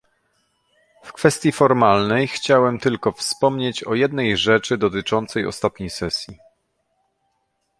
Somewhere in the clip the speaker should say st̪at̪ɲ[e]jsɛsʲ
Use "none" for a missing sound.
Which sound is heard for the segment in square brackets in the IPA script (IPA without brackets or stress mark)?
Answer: e